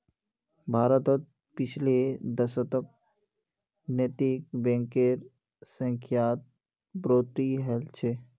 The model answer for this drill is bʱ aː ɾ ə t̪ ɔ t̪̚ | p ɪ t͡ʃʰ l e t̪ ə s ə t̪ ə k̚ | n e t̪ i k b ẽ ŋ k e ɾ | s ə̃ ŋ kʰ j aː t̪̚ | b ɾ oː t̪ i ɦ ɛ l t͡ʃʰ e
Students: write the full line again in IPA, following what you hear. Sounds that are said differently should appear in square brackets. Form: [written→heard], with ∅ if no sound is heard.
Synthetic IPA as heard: bʱ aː ɾ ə t̪ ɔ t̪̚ | p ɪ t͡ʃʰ l e [t̪→d̪] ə s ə t̪ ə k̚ | n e t̪ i k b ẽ ŋ k e ɾ | s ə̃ ŋ kʰ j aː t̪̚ | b ɾ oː t̪ i ɦ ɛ l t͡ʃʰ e